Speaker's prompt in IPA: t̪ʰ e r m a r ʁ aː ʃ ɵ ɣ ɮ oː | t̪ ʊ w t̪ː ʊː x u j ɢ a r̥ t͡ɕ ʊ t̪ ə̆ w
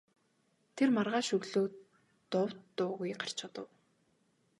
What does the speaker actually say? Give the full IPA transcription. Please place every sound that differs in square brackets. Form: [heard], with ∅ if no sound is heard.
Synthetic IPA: t̪ʰ e r m a r ʁ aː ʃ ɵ ɣ ɮ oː | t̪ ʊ w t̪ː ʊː [ɣ] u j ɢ a r̥ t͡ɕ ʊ t̪ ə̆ w